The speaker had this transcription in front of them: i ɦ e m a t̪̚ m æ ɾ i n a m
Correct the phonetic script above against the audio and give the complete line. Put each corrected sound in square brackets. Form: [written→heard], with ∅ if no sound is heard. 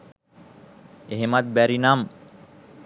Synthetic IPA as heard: [i→e] ɦ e m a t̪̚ [m→b] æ ɾ i n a m